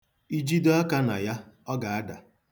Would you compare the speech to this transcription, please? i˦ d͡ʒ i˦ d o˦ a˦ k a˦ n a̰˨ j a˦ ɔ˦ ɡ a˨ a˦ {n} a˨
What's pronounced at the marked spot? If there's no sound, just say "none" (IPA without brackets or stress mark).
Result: d